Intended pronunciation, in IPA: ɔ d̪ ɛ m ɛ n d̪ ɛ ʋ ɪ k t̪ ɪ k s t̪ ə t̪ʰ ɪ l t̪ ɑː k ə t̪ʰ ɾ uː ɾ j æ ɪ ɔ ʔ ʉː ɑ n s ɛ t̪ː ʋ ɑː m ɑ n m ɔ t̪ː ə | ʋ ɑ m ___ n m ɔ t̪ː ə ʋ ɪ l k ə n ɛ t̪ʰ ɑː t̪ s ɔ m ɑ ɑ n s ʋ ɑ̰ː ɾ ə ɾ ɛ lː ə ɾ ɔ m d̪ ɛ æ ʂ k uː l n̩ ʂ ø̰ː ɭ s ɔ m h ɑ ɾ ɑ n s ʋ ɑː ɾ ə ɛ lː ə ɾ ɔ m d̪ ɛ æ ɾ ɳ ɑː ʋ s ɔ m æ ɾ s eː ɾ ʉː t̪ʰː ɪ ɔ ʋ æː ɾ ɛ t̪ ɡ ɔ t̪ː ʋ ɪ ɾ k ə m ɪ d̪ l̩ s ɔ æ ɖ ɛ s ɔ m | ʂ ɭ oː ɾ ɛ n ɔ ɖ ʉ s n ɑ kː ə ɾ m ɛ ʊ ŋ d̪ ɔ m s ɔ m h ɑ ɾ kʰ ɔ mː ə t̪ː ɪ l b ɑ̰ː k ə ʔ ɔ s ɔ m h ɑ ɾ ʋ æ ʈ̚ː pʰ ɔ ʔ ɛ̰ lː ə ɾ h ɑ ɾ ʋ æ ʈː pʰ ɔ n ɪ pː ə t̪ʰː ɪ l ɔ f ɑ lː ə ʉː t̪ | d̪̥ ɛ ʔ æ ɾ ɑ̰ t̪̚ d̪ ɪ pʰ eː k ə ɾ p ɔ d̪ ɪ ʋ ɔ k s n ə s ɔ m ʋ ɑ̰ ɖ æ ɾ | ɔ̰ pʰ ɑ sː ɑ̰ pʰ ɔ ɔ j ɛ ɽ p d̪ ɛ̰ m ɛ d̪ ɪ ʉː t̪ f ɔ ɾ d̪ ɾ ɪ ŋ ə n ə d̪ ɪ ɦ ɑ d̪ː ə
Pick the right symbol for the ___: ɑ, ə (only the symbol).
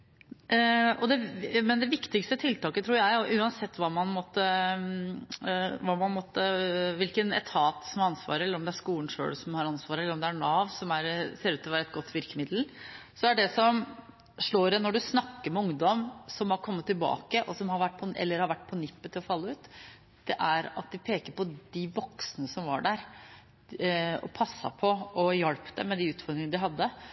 ɑ